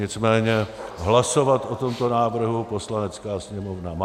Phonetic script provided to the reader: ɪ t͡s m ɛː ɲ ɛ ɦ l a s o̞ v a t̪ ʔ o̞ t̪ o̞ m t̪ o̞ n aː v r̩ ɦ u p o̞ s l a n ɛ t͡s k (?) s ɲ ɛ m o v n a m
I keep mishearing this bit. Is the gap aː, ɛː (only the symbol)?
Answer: aː